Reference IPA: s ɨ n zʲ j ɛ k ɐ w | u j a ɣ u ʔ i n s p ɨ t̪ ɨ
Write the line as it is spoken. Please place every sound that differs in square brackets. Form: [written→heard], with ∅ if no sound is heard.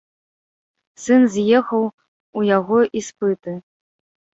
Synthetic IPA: s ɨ n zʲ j ɛ [k→x] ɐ w | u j a ɣ [u→ɔ] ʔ i [n→∅] s p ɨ t̪ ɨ